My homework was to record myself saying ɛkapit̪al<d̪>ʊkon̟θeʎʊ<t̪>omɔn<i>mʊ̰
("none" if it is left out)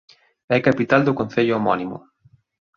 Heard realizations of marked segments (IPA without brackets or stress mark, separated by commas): d̪, none, i